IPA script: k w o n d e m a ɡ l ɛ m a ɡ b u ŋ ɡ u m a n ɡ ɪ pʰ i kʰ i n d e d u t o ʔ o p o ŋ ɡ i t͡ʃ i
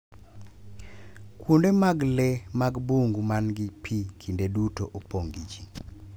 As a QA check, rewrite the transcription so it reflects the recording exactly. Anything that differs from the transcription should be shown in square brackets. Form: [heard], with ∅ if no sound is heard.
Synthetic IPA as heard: k w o n d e m a ɡ l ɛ m a ɡ b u ŋ ɡ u m a n ɡ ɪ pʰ i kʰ i n d e d u t o ʔ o p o ŋ ɡ i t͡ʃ i

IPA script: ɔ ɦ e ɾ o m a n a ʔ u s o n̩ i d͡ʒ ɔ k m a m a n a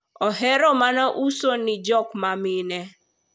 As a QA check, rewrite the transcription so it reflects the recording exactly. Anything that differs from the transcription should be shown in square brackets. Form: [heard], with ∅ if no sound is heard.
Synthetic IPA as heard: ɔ ɦ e ɾ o m a n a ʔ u s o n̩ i d͡ʒ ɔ k m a m [i] n [e]

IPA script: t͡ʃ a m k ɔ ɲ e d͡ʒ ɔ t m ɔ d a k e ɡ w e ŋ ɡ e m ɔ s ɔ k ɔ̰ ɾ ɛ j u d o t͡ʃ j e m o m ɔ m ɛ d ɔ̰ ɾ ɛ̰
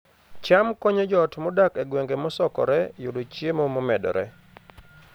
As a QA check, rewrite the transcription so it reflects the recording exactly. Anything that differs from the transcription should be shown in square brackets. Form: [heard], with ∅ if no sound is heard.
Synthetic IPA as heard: t͡ʃ a m k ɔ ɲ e d͡ʒ ɔ t m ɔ d a k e ɡ w e ŋ ɡ e m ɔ s ɔ k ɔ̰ ɾ ɛ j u d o t͡ʃ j e m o m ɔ m ɛ d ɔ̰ ɾ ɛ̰

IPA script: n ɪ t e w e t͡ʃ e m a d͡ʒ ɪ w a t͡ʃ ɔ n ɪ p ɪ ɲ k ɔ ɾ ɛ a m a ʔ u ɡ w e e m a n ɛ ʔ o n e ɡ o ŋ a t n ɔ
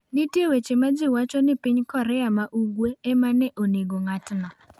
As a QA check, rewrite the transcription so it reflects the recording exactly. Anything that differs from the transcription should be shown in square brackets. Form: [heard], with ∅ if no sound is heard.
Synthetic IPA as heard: n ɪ t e w e t͡ʃ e m a d͡ʒ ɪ w a t͡ʃ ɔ n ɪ p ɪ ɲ k ɔ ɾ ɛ a m a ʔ u ɡ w e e m a n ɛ ʔ o n e ɡ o ŋ a t n ɔ

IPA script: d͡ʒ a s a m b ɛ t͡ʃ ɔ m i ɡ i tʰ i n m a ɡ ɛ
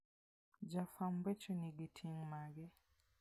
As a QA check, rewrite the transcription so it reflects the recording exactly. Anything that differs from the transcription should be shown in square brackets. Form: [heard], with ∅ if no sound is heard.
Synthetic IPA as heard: d͡ʒ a [f] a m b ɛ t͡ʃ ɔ [n] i ɡ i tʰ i [ŋ] m a ɡ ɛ

